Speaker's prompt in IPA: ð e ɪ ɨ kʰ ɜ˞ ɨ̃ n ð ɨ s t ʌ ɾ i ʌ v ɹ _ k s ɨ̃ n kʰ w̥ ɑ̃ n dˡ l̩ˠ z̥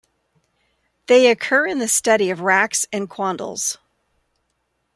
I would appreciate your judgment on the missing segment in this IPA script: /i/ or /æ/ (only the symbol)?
æ